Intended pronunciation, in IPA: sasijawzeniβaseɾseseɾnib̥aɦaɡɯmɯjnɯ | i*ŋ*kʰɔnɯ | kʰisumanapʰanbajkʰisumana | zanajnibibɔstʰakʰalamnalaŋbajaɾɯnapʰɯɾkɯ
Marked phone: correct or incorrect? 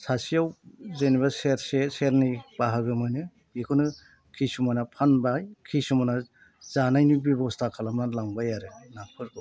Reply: incorrect